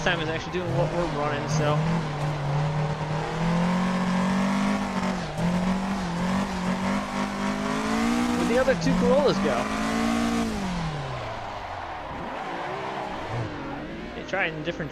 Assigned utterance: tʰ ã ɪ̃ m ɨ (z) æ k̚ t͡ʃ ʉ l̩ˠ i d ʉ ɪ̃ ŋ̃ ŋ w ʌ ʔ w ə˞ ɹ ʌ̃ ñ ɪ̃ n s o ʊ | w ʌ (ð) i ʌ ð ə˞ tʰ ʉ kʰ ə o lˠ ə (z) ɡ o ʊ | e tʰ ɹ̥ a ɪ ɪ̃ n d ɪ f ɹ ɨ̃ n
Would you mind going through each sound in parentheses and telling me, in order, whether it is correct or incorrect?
correct, correct, correct

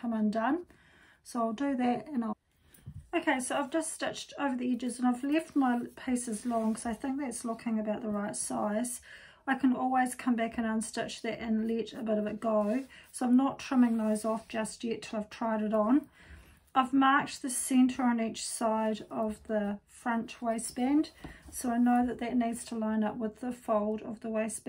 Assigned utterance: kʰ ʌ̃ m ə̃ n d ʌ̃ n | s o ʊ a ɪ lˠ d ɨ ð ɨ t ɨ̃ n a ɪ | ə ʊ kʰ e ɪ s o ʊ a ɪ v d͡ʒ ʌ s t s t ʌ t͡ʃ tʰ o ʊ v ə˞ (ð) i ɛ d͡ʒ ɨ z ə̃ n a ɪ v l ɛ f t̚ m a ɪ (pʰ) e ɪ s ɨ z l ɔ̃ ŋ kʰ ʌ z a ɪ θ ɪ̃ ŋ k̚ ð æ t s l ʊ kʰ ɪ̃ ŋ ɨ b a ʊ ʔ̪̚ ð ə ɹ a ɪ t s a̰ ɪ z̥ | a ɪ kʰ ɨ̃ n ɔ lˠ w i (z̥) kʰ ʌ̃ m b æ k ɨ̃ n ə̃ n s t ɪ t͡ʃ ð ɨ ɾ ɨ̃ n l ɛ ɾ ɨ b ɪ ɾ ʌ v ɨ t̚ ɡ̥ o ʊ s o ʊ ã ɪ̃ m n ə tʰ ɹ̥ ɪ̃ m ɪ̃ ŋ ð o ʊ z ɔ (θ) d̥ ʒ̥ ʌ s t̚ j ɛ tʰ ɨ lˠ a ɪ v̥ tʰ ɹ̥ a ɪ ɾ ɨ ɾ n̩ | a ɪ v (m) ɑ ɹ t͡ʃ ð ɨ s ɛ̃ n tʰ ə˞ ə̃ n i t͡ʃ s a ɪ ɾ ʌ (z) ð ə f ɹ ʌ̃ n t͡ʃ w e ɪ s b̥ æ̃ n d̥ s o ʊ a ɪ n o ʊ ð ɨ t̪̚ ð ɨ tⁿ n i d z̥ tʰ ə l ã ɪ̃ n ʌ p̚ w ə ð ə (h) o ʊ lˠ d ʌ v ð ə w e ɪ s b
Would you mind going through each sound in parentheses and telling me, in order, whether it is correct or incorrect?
correct, correct, correct, incorrect: f, correct, incorrect: v, incorrect: f

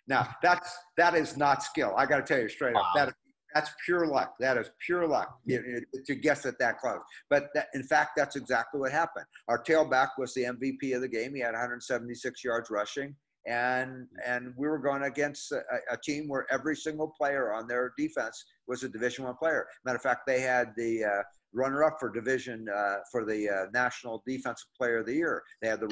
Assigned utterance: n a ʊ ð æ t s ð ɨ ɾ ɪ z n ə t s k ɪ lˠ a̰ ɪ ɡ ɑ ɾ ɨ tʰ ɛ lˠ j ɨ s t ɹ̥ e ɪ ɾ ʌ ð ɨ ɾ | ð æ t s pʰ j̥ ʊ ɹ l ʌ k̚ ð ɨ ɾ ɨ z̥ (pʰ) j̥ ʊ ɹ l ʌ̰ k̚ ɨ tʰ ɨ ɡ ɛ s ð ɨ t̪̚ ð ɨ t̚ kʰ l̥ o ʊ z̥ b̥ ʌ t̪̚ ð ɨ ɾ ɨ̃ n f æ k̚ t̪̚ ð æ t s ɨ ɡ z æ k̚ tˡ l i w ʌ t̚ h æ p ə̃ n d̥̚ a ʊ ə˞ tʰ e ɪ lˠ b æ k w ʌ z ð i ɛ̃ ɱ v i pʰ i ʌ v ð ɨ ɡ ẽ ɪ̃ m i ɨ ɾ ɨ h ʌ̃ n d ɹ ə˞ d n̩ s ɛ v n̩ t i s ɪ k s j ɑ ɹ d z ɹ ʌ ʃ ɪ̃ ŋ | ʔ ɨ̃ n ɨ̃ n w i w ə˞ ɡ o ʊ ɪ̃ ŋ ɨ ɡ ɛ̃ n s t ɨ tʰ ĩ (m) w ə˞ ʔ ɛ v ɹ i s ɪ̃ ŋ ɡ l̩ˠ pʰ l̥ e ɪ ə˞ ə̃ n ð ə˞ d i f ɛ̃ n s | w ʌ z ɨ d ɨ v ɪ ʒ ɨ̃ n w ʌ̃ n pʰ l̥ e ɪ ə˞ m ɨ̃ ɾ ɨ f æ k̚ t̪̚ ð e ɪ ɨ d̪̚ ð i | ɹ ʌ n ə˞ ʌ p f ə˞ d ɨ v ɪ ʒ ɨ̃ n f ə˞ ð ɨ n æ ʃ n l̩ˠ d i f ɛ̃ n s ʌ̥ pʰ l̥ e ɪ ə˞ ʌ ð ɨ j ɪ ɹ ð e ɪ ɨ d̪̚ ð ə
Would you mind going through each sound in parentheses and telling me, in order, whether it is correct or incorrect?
correct, correct

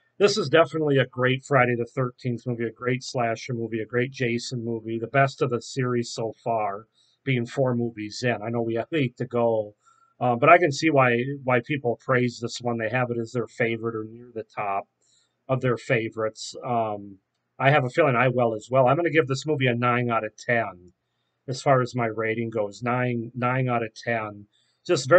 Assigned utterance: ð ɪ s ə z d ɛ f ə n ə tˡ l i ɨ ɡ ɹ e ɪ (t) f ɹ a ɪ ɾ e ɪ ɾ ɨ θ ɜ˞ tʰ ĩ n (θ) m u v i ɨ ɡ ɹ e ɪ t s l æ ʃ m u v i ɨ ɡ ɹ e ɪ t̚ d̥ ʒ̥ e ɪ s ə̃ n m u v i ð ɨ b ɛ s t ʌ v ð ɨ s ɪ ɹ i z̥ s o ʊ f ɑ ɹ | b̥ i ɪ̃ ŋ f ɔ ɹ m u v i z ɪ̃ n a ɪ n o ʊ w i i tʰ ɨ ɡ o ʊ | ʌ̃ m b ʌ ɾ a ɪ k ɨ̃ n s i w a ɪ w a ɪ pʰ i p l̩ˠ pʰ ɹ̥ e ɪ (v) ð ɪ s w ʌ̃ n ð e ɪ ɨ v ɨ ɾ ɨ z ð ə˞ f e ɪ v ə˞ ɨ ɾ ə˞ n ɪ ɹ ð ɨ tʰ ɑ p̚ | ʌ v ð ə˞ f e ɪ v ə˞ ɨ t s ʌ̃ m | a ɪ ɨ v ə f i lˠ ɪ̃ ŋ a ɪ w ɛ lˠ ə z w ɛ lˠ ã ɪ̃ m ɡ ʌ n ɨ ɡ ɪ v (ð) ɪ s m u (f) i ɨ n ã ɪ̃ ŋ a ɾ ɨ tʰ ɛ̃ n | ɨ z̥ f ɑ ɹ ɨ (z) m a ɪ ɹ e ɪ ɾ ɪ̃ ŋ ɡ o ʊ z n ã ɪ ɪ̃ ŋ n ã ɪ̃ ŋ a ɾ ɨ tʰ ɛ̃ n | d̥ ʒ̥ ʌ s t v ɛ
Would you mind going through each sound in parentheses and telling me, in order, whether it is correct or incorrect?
correct, correct, incorrect: z, correct, incorrect: v, correct

